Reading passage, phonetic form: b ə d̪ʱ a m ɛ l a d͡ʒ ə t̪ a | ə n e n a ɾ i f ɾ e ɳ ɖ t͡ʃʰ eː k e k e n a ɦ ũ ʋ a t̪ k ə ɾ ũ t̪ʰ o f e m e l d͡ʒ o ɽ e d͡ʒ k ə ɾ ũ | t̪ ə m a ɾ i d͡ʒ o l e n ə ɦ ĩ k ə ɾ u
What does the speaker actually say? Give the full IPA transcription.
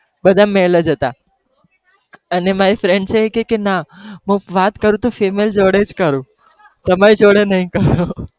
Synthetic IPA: b ə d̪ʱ a m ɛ l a d͡ʒ ə t̪ a | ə n e m a ɾ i f ɾ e ɳ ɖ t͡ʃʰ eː k e k e n a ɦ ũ ʋ a t̪ k ə ɾ ũ t̪ o f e m e l d͡ʒ o ɽ e d͡ʒ k ə ɾ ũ | t̪ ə m a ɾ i d͡ʒ o ɽ e n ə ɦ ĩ k ə ɾ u